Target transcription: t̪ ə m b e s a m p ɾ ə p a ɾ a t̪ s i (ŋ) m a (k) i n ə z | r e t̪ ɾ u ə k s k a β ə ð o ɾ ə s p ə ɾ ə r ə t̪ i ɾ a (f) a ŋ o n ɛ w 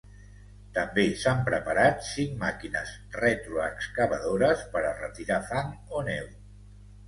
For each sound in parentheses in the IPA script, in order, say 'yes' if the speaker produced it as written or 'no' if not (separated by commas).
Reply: yes, yes, yes